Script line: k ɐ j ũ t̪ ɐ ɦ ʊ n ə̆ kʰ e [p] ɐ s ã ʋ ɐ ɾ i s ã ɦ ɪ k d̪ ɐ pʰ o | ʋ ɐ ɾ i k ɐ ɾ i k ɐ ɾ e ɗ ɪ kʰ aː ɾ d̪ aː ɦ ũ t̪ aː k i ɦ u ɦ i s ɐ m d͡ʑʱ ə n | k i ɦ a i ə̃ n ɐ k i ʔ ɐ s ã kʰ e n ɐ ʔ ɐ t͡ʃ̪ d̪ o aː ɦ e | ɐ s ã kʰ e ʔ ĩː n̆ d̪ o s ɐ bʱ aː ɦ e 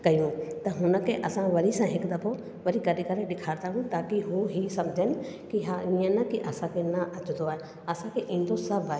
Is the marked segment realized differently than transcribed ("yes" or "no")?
yes